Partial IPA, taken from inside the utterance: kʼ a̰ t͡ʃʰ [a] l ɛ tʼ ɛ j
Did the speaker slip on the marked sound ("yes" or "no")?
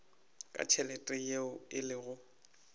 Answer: yes